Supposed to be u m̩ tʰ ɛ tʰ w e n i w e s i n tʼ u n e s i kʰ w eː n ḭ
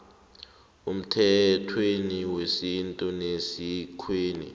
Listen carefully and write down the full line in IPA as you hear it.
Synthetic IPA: u m̩ tʰ ɛ tʰ w e n i w e s i n tʼ u n e s i kʰ w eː n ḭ